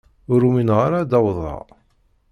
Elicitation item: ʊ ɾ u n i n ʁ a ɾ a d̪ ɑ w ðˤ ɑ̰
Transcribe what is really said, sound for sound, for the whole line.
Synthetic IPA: ʊ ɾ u m i n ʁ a ɾ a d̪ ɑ w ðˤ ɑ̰